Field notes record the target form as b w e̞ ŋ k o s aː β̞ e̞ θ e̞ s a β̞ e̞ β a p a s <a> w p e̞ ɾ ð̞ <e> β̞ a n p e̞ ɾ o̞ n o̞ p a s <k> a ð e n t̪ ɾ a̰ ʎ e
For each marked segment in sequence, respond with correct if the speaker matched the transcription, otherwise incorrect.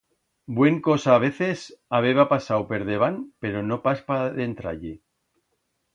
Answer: correct, correct, incorrect: p

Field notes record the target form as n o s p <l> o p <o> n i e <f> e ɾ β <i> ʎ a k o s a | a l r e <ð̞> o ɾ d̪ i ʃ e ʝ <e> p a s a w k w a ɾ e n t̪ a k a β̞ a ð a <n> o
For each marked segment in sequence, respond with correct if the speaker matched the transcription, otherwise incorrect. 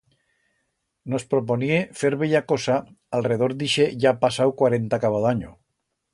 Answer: incorrect: ɾ, correct, correct, incorrect: e, correct, incorrect: a, incorrect: ɲ

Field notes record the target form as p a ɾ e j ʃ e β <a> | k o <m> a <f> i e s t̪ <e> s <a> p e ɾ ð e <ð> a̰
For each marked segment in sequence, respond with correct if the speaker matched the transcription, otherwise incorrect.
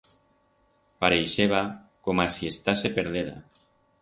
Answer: correct, correct, incorrect: s, incorrect: a, incorrect: e, correct

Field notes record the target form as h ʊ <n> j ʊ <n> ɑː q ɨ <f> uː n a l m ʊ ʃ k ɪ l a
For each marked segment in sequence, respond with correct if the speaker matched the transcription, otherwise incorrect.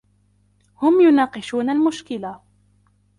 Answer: incorrect: m, correct, incorrect: ʃ

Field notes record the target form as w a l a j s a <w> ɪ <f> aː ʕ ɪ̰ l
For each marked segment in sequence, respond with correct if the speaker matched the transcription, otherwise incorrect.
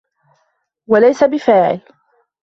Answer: incorrect: b, correct

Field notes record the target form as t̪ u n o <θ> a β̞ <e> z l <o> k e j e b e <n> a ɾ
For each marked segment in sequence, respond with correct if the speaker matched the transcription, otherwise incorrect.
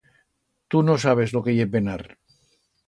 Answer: incorrect: s, correct, correct, correct

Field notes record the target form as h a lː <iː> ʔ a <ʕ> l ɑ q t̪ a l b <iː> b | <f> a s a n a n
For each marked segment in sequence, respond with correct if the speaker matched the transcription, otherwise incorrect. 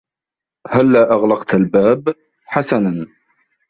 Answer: incorrect: aː, incorrect: ɣ, incorrect: aː, incorrect: ħ

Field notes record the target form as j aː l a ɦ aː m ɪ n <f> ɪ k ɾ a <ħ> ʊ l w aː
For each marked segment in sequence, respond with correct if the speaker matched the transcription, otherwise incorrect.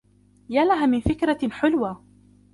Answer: correct, correct

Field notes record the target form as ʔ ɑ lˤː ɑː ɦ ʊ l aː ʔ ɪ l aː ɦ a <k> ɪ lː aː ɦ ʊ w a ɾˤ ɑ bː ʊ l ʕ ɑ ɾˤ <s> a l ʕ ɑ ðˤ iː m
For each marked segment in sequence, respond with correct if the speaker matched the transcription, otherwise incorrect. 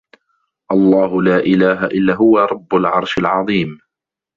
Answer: incorrect: ʔ, incorrect: ʃ

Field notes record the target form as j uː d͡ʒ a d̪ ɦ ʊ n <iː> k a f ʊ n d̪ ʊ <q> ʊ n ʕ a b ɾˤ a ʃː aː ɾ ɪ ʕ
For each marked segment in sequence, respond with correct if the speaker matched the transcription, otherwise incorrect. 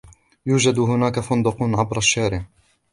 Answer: incorrect: aː, correct

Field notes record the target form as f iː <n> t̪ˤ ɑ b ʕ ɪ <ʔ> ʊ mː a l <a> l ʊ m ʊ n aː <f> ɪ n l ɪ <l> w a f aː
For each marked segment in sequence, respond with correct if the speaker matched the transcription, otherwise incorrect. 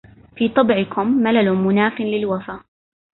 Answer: incorrect: none, incorrect: k, correct, correct, correct

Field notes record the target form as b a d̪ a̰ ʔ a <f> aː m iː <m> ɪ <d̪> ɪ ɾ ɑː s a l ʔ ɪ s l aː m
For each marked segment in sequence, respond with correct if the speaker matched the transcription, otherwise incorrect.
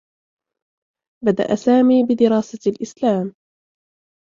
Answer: incorrect: s, incorrect: b, correct

